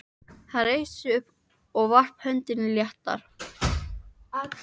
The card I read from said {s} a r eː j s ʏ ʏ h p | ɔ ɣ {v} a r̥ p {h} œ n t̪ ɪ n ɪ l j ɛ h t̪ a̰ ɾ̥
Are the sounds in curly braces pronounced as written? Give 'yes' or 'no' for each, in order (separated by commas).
no, yes, yes